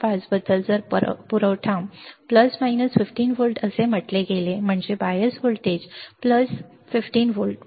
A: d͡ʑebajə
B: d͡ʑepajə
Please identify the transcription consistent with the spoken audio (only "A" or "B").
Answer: A